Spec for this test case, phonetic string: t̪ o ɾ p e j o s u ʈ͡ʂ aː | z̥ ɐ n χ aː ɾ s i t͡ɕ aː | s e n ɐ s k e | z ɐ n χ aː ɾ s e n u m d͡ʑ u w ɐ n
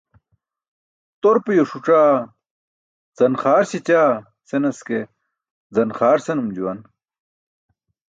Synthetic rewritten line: t̪ o ɾ p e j o ʂ u ʈ͡ʂ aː | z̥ ɐ n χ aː ɾ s i t͡ɕ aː | s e n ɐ s k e | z ɐ n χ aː ɾ s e n u m d͡ʑ u w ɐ n